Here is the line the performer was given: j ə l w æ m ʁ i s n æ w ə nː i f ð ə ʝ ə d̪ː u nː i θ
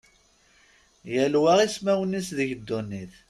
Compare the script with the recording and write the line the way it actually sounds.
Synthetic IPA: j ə l w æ ʁ i s m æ w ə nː i s ð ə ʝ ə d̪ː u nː i θ